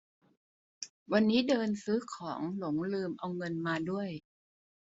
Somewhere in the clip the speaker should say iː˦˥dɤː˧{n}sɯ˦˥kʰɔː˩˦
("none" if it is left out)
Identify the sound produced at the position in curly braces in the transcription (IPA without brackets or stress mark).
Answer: n